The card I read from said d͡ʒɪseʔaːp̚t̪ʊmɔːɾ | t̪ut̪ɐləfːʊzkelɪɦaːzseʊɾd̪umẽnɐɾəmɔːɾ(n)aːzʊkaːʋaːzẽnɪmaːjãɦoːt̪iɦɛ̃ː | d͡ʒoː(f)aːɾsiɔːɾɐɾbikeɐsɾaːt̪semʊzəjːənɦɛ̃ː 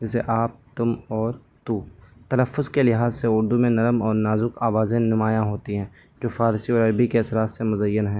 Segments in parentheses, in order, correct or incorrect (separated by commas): correct, correct